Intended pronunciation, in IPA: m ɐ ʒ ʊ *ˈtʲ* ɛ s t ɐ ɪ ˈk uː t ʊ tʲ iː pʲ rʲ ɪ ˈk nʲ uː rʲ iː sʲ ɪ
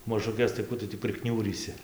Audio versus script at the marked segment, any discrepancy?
yes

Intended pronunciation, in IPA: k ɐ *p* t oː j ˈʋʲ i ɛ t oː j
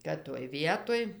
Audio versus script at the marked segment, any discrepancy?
yes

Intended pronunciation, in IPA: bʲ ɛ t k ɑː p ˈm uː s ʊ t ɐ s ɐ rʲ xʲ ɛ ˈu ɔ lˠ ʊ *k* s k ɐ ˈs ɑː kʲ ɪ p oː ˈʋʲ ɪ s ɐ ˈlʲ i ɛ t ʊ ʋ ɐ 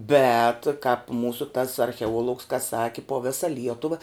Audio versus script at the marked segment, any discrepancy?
no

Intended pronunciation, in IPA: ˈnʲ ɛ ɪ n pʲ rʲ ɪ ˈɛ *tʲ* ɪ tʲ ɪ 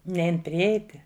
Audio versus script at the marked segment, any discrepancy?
yes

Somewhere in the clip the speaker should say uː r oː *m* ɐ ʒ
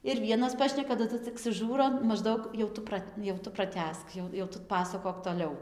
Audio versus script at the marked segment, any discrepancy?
no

